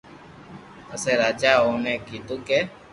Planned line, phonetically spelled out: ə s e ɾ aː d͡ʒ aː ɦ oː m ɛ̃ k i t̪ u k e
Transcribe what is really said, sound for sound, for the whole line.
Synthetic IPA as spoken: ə s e ɾ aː d͡ʒ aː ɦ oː n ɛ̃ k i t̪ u k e